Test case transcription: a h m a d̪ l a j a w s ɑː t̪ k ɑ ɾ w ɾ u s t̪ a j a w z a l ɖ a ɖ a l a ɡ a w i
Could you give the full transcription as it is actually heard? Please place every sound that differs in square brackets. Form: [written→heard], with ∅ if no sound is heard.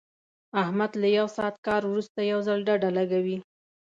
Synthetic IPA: a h m a d̪ l a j a w s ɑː t̪ k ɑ ɾ w ɾ u s t̪ a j a w z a l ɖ a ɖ a l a ɡ a w i